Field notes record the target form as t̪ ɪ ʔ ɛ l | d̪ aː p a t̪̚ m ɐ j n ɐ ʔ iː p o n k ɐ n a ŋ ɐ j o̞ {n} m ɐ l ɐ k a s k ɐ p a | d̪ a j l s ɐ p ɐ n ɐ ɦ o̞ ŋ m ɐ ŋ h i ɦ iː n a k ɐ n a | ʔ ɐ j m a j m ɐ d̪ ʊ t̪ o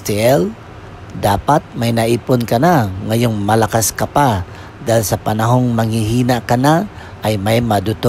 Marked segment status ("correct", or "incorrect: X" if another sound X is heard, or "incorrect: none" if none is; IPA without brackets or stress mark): incorrect: ŋ